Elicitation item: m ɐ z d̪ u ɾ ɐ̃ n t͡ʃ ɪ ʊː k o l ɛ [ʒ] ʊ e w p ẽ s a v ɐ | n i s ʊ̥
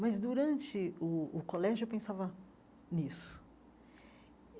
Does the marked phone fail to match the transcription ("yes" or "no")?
no